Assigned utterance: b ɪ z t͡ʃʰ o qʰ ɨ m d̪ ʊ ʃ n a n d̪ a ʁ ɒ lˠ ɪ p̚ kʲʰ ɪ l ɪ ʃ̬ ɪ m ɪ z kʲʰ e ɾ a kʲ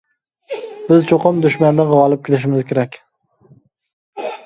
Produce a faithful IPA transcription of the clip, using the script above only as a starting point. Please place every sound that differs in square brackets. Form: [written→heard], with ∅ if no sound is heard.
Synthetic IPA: b ɪ z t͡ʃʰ o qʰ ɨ m d̪ ʊ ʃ [n→m] a n d̪ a ʁ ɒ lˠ ɪ p̚ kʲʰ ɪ l ɪ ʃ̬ ɪ m ɪ z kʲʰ e ɾ a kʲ